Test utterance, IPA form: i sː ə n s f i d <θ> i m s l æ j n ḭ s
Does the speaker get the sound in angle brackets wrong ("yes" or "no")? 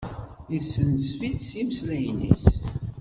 yes